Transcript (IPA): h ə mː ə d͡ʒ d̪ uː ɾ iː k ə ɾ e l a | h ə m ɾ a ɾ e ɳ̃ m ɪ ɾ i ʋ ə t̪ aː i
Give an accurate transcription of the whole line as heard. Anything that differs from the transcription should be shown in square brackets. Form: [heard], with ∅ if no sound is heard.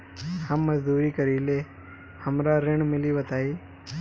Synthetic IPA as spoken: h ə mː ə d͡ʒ d̪ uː ɾ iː k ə ɾ [i] l [e] | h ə m ɾ a ɾ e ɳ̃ m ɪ [l] i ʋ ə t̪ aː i